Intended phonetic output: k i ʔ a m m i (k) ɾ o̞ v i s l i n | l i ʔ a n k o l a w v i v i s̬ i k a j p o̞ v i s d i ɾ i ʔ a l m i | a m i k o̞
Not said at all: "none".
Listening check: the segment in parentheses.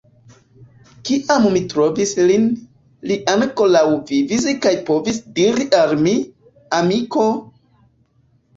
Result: t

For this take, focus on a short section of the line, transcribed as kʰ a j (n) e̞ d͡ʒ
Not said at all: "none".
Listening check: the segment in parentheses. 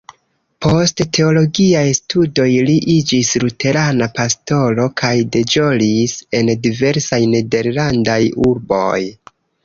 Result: d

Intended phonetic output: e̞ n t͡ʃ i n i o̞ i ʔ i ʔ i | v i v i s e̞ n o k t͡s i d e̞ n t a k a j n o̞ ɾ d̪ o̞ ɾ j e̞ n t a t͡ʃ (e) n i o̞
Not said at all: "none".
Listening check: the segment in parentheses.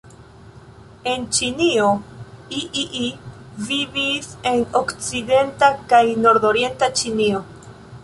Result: i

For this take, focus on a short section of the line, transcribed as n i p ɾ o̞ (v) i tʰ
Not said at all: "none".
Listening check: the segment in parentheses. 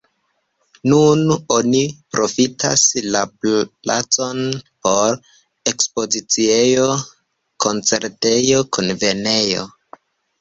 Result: f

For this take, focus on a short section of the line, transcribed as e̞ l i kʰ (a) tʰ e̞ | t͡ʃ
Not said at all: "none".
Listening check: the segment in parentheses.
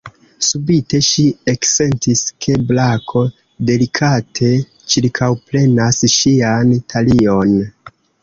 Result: a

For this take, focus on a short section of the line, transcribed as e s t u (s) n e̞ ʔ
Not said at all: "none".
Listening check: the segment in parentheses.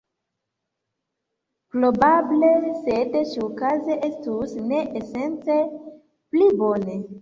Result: s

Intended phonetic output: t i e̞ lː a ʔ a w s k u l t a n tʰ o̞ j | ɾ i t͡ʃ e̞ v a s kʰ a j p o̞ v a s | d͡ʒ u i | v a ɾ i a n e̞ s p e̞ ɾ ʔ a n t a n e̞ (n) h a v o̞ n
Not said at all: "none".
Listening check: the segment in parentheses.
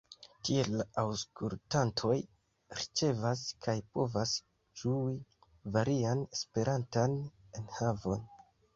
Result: n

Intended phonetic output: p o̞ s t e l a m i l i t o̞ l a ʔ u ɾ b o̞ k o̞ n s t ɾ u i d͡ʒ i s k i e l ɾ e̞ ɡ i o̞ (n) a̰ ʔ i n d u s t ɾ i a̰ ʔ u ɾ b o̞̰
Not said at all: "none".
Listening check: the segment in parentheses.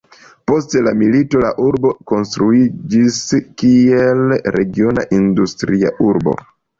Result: n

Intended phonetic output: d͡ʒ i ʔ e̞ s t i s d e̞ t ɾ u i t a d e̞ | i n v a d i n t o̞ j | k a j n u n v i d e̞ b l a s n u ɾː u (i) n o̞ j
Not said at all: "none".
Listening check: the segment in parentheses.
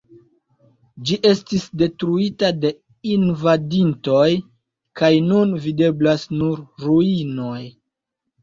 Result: i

